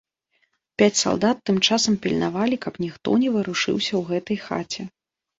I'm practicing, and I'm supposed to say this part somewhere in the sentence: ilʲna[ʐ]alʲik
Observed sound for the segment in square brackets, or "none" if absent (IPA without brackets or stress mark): v